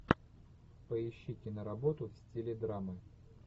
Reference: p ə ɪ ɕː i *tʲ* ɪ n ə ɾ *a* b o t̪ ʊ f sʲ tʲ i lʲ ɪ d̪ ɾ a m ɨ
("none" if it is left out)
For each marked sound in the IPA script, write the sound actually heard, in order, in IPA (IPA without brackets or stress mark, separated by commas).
tʲ, ɐ